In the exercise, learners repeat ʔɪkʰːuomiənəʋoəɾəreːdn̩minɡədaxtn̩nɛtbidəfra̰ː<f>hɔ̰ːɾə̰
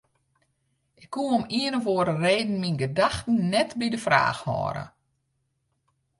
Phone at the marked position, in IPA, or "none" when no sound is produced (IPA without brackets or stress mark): x